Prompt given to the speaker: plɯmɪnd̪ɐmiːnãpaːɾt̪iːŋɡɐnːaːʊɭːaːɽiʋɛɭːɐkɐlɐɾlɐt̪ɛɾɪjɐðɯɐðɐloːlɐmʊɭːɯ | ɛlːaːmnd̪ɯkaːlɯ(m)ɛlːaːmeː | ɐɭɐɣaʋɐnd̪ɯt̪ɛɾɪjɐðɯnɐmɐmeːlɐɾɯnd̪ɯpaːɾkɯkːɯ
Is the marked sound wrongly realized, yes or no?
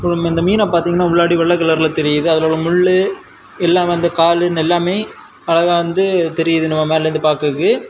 yes